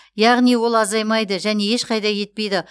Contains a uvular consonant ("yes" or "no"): yes